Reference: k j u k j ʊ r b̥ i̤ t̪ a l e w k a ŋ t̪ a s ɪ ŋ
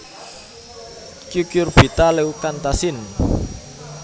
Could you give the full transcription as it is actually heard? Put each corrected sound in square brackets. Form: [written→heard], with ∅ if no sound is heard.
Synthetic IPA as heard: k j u k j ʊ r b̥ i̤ t̪ a l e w k a [ŋ→n] t̪ a s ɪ [ŋ→n]